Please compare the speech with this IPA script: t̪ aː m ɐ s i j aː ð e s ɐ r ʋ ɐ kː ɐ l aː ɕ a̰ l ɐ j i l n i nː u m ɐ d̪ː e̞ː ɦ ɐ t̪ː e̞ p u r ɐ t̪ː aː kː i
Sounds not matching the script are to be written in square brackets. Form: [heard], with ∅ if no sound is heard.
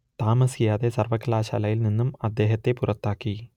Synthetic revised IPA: t̪ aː m ɐ s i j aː ð e s ɐ r ʋ ɐ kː ɐ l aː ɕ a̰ l ɐ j i l n i nː u m ɐ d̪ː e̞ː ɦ ɐ t̪ː e̞ p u r ɐ t̪ː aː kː i